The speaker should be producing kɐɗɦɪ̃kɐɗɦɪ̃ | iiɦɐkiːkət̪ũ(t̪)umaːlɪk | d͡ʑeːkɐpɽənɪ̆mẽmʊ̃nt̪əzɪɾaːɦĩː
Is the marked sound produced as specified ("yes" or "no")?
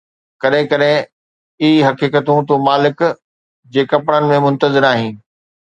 yes